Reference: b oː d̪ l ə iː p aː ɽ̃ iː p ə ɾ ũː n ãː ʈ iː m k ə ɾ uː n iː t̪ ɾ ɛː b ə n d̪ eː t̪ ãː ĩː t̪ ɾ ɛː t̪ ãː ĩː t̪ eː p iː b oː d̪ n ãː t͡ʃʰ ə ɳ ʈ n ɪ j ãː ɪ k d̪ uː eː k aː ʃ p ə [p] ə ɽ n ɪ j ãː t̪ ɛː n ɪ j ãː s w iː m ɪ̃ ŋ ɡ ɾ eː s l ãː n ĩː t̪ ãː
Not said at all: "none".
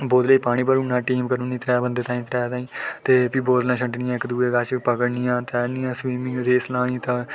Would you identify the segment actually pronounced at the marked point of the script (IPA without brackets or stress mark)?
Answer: k